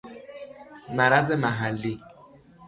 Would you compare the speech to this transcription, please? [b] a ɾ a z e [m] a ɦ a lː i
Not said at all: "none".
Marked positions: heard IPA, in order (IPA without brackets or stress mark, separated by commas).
m, m